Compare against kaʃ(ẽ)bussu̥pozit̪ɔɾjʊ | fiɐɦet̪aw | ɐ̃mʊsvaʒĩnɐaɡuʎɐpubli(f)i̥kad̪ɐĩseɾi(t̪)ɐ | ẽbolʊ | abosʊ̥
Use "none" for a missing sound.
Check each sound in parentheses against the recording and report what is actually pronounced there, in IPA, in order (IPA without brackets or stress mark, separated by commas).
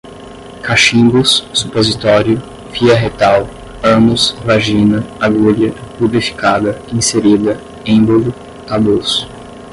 ĩ, f, d̪